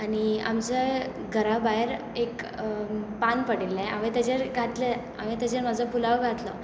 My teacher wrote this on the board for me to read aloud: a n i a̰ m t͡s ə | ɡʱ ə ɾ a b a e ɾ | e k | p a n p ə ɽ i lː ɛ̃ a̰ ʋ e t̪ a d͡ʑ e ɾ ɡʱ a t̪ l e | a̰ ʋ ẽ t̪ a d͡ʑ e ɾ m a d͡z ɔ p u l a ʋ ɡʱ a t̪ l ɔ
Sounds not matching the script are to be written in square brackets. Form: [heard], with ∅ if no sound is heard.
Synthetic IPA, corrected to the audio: a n i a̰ m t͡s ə | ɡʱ ə ɾ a b a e ɾ | e k | p a n p ə ɽ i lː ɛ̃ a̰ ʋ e t̪ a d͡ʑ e ɾ ɡʱ a t̪ l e | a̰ ʋ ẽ t̪ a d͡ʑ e ɾ m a d͡z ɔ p u l a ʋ ɡʱ a t̪ l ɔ